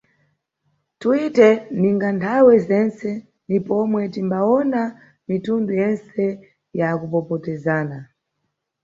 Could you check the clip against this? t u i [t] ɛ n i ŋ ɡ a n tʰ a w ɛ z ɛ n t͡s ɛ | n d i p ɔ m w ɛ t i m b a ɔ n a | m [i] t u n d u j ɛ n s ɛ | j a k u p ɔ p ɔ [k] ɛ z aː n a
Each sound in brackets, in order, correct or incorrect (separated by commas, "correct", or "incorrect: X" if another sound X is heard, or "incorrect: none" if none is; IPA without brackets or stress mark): correct, correct, incorrect: t